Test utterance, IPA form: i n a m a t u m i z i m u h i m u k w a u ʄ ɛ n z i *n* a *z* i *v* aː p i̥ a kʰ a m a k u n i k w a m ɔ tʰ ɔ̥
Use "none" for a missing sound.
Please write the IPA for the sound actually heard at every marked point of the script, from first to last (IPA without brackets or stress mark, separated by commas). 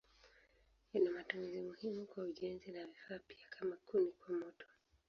n, v, f